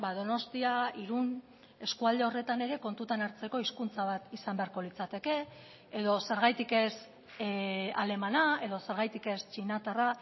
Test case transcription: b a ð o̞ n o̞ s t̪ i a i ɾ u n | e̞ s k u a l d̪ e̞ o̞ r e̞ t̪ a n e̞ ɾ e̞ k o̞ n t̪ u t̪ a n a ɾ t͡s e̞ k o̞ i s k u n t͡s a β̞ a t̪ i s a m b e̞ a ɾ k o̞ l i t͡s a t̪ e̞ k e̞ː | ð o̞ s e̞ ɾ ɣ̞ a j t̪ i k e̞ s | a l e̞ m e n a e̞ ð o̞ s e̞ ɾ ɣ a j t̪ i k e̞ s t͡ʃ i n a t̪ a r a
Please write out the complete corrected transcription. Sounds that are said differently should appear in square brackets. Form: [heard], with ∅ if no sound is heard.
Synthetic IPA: b a ð o̞ n o̞ s t̪ i a i ɾ u n | e̞ s k u a l d̪ e̞ o̞ r e̞ t̪ a n e̞ ɾ e̞ k o̞ n t̪ u t̪ a n a ɾ t͡s e̞ k o̞ i s k u n t͡s a β̞ a t̪ i s a m b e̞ a ɾ k o̞ l i t͡s a t̪ e̞ k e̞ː | ð o̞ s e̞ ɾ ɣ̞ a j t̪ i k e̞ s | a l e̞ m [a] n a e̞ ð o̞ s e̞ ɾ ɣ a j t̪ i k e̞ s t͡ʃ i n a t̪ a r a